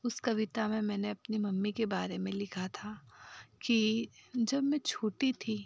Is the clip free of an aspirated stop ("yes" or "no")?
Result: no